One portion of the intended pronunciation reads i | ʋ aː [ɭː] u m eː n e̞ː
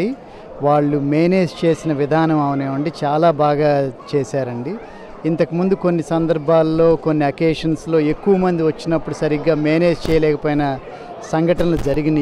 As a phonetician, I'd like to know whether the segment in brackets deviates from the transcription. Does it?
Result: no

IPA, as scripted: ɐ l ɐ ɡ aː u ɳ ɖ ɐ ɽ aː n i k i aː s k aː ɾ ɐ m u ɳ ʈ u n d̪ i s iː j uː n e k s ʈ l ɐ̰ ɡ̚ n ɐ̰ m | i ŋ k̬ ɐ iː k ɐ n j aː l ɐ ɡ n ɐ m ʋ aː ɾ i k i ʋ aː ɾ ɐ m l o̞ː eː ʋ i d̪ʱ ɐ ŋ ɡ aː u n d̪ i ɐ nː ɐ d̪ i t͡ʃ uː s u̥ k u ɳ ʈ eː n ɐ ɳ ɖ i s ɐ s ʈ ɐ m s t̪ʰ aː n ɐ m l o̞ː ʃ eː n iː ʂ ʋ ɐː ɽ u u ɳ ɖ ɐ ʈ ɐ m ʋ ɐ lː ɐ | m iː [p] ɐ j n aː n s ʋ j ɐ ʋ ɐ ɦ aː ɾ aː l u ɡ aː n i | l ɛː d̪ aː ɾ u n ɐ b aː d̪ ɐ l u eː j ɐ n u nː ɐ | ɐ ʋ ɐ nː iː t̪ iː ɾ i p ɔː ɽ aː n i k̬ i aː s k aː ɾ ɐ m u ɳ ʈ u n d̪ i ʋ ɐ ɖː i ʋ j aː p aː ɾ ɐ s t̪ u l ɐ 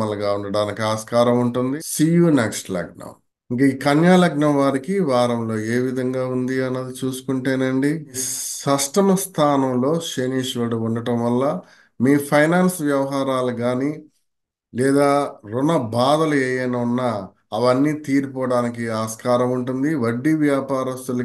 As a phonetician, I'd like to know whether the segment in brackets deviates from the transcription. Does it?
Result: yes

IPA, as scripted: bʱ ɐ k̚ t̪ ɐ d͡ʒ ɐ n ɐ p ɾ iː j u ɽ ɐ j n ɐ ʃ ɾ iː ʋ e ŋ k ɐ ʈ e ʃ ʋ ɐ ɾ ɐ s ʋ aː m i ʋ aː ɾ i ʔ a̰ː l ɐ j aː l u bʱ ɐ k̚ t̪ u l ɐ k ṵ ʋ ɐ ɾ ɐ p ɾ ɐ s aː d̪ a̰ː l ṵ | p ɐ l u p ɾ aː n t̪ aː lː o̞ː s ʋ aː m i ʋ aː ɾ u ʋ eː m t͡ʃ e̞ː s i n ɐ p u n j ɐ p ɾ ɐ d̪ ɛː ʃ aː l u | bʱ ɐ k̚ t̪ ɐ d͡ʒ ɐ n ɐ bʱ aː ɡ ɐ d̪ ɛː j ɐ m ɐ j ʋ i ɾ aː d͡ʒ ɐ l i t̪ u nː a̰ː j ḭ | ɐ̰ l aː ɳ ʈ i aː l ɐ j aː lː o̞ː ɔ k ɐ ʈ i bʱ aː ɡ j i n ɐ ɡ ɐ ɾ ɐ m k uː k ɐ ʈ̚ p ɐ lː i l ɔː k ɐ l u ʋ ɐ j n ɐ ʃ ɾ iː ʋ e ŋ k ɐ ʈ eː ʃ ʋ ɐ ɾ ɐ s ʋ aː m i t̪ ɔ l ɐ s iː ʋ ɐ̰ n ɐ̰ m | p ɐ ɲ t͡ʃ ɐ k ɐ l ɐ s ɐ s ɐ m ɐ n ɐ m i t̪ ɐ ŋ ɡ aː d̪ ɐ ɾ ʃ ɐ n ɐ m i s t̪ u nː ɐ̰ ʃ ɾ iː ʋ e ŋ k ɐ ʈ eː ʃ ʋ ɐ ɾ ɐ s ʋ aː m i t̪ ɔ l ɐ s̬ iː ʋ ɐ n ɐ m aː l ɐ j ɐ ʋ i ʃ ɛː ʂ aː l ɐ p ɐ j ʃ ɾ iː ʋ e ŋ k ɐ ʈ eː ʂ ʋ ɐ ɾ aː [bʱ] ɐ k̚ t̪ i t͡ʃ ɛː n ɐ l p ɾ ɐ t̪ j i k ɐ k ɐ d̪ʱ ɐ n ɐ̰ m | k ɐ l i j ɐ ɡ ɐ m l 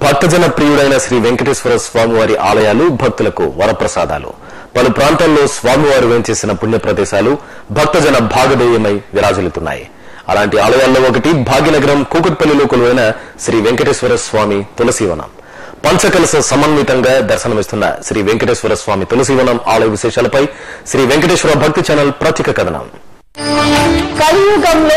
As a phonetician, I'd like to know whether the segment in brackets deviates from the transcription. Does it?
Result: no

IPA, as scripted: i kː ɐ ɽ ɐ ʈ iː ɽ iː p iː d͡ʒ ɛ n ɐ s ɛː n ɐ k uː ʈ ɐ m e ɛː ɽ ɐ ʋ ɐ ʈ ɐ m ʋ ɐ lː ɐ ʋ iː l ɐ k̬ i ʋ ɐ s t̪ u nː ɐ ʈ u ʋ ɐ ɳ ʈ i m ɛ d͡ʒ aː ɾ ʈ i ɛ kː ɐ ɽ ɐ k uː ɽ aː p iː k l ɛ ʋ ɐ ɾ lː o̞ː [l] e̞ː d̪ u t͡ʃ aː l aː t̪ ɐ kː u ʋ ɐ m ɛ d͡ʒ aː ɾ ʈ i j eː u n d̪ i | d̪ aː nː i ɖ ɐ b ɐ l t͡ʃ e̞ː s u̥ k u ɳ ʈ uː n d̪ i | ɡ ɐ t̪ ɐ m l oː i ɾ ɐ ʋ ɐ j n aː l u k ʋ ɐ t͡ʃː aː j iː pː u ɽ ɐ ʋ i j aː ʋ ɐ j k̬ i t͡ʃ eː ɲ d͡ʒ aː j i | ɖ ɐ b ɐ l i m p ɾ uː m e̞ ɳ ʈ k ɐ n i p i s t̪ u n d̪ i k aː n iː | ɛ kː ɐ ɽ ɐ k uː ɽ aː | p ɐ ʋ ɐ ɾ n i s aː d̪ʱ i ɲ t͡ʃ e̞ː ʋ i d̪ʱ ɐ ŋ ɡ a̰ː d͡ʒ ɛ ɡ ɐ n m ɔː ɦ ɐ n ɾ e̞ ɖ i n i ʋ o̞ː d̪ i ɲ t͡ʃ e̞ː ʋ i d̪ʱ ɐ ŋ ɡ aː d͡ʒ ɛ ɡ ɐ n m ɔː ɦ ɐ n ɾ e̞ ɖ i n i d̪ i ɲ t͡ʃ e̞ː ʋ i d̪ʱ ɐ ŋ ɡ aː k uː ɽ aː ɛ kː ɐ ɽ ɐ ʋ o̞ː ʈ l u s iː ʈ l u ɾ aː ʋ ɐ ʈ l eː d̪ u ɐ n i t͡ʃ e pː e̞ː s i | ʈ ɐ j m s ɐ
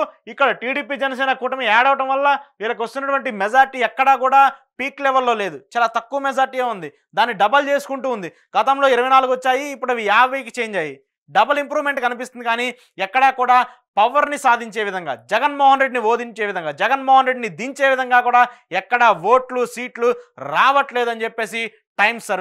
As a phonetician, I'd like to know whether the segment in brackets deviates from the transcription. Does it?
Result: no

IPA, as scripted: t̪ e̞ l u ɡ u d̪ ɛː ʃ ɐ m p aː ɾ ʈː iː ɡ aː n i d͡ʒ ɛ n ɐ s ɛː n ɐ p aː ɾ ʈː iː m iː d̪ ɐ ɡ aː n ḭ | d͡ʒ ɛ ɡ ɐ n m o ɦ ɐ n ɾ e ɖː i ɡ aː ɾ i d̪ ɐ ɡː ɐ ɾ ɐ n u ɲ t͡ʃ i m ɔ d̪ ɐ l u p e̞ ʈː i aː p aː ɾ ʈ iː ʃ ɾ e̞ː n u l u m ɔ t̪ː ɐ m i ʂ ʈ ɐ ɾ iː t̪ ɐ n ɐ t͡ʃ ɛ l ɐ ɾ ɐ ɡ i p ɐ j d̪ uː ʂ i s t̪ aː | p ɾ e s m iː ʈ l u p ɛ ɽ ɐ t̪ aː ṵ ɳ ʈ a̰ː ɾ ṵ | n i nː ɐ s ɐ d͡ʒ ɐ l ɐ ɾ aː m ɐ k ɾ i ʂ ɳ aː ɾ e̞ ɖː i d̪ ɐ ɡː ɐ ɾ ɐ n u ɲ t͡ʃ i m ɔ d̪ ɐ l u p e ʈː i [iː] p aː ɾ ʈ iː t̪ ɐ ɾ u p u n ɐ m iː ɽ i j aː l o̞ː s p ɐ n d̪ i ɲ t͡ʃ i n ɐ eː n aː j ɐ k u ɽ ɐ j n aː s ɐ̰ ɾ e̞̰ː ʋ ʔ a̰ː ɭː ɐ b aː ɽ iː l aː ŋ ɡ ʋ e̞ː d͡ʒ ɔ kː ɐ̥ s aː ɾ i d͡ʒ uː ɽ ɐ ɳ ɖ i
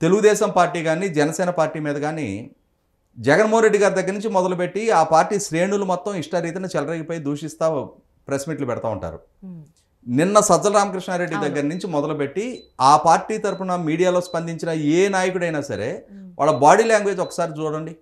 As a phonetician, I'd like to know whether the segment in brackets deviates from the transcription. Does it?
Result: yes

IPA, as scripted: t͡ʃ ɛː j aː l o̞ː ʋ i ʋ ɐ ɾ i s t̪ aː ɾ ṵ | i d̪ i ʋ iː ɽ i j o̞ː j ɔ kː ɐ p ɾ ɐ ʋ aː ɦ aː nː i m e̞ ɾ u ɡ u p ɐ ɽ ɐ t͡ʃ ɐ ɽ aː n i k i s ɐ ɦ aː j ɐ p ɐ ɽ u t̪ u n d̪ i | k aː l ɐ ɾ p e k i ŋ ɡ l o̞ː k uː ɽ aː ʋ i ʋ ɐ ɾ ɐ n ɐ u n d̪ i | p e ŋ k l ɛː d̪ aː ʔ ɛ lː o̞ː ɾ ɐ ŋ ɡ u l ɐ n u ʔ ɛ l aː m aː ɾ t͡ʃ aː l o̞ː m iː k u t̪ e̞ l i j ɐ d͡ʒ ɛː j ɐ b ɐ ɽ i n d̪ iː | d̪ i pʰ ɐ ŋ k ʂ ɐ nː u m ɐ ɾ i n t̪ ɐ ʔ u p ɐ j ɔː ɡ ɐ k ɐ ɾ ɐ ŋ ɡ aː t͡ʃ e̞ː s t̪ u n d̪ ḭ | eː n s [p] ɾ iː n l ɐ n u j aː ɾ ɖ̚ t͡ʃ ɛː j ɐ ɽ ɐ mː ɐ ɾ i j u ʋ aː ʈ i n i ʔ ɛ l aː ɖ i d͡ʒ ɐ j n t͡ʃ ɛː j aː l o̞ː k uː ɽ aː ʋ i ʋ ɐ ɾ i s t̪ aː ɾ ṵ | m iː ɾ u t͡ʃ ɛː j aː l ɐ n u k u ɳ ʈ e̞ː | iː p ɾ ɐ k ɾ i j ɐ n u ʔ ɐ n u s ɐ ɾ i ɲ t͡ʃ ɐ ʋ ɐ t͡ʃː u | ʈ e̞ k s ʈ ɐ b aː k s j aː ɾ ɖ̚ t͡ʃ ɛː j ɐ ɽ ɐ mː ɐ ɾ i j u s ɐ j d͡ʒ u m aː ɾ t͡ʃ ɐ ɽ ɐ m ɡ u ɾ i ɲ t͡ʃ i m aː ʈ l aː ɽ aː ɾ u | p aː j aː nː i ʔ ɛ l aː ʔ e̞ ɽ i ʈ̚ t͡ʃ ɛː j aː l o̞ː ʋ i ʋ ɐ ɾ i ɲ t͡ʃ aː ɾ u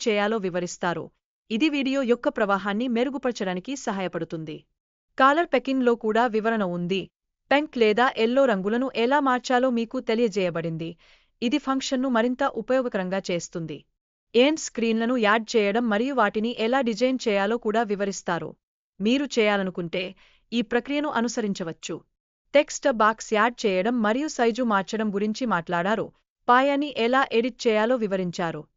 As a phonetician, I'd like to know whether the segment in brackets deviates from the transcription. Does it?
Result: yes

